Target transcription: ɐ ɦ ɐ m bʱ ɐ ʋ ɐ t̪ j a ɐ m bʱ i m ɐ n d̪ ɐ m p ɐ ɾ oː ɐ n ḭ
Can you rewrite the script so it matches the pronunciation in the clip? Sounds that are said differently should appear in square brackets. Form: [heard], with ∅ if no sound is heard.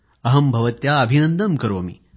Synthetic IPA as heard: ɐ ɦ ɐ m bʱ ɐ ʋ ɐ t̪ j a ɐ [∅] bʱ i [n] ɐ n d̪ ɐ m [k] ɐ ɾ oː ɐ [m] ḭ